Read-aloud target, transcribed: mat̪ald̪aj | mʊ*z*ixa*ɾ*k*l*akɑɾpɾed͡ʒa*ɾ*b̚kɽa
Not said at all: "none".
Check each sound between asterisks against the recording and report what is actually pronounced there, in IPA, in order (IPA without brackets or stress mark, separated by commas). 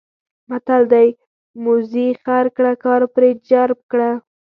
z, ɾ, ɽ, ɾ